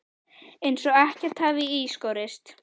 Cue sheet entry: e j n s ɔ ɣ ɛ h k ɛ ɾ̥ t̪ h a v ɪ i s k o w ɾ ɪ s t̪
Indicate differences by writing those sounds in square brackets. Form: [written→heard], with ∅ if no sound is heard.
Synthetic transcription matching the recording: e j n s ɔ ɣ ɛ h [k→c] ɛ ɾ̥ t̪ h a v ɪ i s k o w ɾ ɪ s t̪